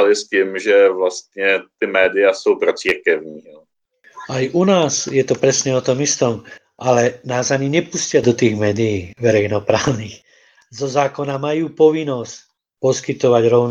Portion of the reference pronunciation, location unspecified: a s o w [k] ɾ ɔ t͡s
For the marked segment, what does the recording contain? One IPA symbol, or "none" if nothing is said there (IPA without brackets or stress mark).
p